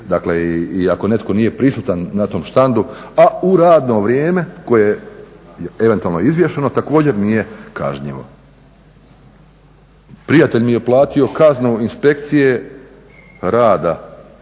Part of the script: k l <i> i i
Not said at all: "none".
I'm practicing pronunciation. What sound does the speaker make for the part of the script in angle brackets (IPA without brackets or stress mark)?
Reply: e